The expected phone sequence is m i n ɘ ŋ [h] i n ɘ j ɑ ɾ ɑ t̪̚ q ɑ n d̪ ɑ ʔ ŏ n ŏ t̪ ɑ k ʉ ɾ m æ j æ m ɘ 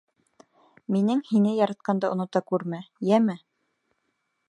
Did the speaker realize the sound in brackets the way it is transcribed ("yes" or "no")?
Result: yes